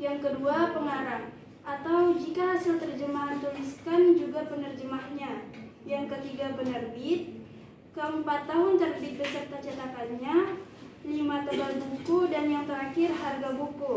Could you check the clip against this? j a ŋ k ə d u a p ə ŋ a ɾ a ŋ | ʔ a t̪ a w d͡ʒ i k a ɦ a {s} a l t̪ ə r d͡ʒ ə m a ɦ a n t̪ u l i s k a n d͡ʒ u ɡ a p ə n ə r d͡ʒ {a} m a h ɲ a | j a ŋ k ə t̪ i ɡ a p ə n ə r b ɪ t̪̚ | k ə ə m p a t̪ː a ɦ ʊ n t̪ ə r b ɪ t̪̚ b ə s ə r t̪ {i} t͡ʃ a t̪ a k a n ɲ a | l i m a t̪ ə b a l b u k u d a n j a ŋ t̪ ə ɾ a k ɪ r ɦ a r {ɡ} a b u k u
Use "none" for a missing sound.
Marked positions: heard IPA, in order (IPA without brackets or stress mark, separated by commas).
s, ə, a, ɡ